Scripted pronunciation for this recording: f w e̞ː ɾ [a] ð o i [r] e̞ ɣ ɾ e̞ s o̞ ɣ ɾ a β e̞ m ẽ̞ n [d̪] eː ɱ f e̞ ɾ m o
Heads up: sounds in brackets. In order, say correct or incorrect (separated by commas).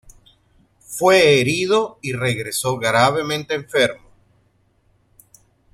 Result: incorrect, correct, incorrect